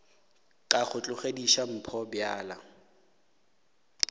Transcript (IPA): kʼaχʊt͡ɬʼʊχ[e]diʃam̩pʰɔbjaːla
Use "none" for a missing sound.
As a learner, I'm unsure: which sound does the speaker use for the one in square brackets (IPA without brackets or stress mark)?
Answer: e